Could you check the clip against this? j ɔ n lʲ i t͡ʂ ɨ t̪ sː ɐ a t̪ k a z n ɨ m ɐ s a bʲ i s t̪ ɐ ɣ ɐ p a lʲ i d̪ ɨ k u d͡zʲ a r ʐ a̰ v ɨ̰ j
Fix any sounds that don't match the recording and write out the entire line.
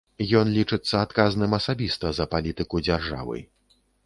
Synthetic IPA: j ɔ n lʲ i t͡ʂ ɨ t̪ sː ɐ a t̪ k a z n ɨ m ɐ s a bʲ i s t̪ ɐ z ɐ p a lʲ i t̪ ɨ k u d͡zʲ a r ʐ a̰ v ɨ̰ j